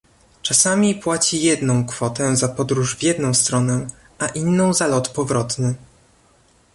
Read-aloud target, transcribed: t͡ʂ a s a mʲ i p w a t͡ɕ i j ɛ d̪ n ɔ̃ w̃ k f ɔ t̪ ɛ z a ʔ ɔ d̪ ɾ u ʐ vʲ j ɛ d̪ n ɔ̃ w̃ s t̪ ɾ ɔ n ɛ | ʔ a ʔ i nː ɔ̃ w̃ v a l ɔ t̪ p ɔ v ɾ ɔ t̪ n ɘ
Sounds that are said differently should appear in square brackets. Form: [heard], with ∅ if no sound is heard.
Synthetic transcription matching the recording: t͡ʂ a s a mʲ i p w a t͡ɕ i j ɛ d̪ n ɔ̃ w̃ k f ɔ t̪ ɛ z a [p] ɔ d̪ ɾ u ʐ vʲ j ɛ d̪ n ɔ̃ w̃ s t̪ ɾ ɔ n ɛ | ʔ a ʔ i nː ɔ̃ w̃ [z] a l ɔ t̪ p ɔ v ɾ ɔ t̪ n ɘ